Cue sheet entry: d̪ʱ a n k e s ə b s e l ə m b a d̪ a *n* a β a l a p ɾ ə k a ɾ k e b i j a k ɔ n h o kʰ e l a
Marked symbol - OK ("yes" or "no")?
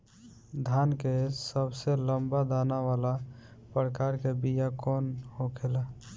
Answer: yes